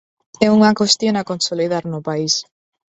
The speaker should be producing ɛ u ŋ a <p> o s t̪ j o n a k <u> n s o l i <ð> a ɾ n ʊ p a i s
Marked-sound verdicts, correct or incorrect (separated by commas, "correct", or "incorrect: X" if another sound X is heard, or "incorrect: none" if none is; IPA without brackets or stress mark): incorrect: k, incorrect: o, correct